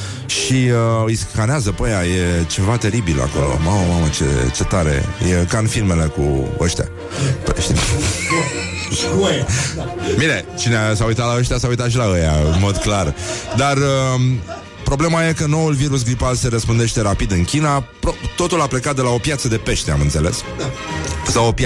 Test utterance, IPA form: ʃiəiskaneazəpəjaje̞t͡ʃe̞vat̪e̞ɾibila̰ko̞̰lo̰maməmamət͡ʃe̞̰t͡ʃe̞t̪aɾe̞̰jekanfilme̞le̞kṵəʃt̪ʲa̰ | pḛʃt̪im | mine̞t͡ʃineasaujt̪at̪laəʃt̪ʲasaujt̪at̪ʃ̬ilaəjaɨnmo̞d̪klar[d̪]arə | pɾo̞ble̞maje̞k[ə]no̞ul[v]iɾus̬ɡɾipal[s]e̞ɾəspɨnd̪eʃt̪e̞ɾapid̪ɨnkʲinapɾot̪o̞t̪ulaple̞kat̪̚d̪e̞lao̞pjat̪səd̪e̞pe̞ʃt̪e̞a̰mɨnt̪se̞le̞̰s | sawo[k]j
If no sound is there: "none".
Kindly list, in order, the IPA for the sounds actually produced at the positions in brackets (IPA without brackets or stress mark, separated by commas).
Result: d̪, ə, v, s, p